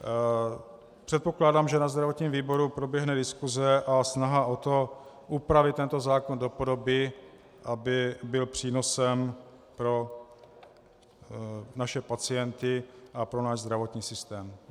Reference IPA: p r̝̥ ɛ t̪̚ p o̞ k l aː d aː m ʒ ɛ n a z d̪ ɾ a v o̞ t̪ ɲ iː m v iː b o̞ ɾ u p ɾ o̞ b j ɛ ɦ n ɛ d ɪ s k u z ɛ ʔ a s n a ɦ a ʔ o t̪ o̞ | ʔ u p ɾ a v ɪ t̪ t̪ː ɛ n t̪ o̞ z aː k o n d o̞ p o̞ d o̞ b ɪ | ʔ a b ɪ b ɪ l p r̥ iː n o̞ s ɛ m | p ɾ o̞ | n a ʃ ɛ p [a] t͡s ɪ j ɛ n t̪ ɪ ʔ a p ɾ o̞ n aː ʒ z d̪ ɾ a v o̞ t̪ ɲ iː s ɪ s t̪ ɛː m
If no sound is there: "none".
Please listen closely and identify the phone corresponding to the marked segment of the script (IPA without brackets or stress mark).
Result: a